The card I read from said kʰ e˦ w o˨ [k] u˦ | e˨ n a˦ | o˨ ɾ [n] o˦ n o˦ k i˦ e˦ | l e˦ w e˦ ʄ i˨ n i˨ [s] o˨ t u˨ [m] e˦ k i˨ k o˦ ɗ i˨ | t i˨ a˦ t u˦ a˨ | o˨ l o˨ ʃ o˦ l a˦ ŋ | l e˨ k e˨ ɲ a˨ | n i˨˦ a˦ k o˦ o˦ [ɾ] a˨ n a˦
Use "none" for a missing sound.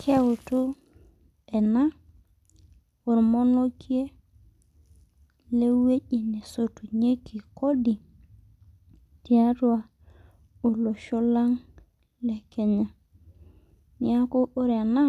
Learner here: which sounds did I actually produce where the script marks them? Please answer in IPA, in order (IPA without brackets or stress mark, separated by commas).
t, m, s, ɲ, ɾ